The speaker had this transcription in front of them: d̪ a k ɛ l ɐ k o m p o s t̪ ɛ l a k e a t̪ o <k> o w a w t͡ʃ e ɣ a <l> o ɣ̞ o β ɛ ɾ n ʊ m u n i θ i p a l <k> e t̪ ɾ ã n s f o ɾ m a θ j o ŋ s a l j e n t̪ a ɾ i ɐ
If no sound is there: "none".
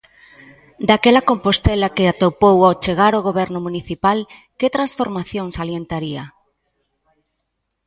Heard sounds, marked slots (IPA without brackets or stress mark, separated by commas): p, ɾ, k